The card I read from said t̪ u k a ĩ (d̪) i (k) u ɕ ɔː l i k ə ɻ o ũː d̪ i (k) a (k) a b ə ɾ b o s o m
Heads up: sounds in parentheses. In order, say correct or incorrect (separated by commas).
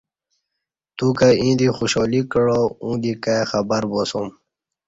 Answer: correct, incorrect, correct, incorrect